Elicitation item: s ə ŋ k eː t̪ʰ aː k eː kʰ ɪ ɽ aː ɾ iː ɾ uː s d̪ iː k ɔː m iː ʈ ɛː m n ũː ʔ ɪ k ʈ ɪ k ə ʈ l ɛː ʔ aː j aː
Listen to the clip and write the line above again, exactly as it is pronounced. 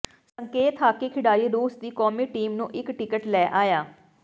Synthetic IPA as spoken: s ə ŋ k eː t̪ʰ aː k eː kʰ ɪ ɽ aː ɾ iː ɾ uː s d̪ iː k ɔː m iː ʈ iː m n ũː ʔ ɪ k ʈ ɪ k ə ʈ l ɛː ʔ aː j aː